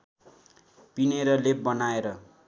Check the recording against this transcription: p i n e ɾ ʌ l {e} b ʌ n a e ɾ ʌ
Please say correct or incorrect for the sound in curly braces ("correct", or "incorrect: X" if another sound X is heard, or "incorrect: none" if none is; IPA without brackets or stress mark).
correct